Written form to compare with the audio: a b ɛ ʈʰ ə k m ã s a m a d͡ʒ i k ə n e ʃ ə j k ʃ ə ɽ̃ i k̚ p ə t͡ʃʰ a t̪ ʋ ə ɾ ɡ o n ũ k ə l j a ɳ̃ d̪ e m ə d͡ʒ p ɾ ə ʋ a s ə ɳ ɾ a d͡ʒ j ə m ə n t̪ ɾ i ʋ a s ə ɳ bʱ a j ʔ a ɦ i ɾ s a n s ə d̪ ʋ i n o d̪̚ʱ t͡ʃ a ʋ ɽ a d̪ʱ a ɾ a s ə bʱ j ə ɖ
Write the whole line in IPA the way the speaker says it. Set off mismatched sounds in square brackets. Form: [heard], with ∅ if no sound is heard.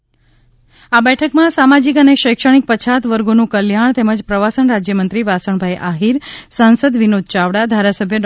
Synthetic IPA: a b ɛ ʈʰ ə k m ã s a m a d͡ʒ i k ə n e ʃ ə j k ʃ ə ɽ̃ i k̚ p ə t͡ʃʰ a t̪ ʋ ə ɾ ɡ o n ũ k ə l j a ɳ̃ [t̪] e m ə d͡ʒ p ɾ ə ʋ a s ə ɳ ɾ a d͡ʒ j ə m ə n t̪ ɾ i ʋ a s ə ɳ bʱ a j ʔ a ɦ i ɾ s a n s ə d̪ ʋ i n o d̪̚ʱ t͡ʃ a ʋ ɽ a d̪ʱ a ɾ a s ə bʱ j ə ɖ